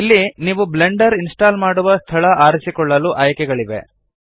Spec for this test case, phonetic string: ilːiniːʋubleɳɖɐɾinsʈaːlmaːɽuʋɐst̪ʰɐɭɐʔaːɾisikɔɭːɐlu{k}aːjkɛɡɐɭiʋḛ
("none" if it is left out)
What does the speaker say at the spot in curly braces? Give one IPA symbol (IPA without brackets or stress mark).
ʔ